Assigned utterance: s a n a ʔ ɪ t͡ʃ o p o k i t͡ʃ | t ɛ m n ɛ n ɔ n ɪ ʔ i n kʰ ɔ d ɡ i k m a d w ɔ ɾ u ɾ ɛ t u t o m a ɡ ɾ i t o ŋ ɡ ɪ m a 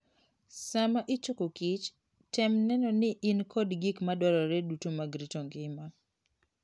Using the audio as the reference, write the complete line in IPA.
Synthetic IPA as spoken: s a m a ʔ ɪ t͡ʃ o k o k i t͡ʃ | t ɛ m n ɛ n ɔ n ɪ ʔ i n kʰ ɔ d ɡ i k m a d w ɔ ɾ ɔ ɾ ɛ d u t o m a ɡ ɾ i t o ŋ ɡ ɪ m a